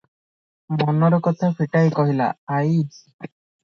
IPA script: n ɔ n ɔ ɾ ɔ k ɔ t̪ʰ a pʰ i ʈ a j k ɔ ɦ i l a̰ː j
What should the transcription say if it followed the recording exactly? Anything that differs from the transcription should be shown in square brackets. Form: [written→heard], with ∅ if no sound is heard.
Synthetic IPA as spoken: [n→m] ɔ n ɔ ɾ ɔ k ɔ t̪ʰ a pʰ i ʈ a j k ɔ ɦ i l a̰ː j